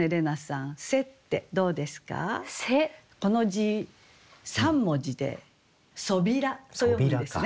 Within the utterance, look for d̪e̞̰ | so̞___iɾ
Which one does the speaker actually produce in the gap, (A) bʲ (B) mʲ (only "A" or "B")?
A